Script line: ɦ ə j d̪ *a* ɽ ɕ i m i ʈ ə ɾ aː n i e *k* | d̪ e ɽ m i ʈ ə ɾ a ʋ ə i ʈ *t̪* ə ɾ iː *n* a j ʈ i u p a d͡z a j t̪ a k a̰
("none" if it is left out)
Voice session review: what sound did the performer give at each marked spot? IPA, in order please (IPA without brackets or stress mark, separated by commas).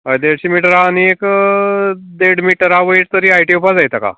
e, k, t̪, none